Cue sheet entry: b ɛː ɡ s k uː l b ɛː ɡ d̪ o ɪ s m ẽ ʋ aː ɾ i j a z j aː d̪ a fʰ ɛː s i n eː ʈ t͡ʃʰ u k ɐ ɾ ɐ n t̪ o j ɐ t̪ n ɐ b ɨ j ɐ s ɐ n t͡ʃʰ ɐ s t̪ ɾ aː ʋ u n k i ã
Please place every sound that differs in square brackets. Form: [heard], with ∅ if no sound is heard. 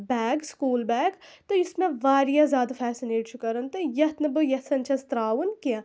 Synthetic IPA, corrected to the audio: b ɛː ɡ s k uː l b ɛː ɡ [t̪] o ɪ s m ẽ ʋ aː ɾ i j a z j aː d̪ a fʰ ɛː s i n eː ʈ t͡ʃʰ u k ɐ ɾ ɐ n t̪ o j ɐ t̪ n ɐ b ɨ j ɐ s ɐ n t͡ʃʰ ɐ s t̪ ɾ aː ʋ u n k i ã